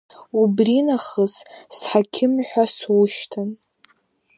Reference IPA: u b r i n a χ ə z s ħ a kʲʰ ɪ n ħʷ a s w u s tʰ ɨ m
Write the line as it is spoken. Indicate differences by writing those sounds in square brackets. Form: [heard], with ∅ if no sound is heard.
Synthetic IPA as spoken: u b r i n a χ ə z s ħ a kʲʰ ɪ [m] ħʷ a s w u [ʃ] tʰ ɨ [n]